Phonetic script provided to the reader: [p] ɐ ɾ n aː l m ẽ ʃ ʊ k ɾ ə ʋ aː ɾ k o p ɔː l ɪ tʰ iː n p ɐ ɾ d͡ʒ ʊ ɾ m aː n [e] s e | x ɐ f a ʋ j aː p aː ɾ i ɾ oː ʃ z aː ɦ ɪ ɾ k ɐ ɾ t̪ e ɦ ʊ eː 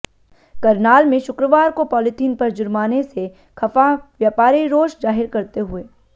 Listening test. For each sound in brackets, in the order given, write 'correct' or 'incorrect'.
incorrect, correct

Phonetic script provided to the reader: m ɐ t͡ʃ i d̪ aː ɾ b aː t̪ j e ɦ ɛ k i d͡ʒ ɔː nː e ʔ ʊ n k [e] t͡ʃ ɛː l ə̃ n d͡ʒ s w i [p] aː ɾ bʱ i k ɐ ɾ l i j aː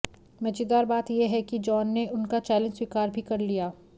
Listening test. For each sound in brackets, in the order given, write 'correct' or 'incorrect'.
incorrect, incorrect

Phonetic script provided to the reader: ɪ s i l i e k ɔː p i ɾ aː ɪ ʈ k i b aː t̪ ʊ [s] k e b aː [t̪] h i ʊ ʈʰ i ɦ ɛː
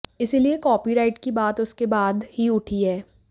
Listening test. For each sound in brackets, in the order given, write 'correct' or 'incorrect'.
correct, incorrect

